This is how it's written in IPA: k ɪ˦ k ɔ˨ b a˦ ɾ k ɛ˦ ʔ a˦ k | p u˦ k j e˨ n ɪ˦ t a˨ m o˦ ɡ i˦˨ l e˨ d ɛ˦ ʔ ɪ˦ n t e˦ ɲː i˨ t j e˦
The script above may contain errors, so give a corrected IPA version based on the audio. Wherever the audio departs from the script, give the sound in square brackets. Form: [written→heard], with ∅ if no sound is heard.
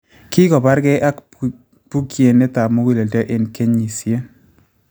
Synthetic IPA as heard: k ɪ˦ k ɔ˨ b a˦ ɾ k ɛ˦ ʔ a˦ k | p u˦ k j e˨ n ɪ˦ t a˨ m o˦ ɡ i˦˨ l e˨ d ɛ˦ ʔ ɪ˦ n [t→k] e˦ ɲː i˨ [t→s] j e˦